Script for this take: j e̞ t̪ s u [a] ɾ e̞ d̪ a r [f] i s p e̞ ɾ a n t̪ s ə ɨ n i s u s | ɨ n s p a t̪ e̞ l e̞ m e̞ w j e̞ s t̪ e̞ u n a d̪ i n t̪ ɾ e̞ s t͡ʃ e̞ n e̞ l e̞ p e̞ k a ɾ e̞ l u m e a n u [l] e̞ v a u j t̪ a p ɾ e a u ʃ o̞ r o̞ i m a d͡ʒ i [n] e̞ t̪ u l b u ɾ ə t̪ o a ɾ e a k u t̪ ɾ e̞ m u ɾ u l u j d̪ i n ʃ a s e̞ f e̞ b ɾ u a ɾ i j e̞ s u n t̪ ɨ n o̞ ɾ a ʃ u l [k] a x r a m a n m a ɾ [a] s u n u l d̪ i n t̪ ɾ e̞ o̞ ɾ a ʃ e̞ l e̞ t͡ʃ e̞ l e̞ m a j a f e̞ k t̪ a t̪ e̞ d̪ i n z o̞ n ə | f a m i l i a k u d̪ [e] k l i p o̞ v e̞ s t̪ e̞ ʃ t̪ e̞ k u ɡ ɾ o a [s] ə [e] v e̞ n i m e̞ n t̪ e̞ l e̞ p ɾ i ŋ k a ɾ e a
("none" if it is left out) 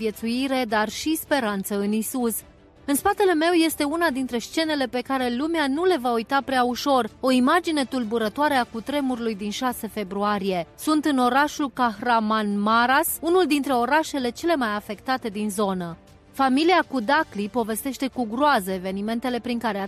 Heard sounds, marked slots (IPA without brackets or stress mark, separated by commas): i, ʃ, l, n, k, a, a, z, e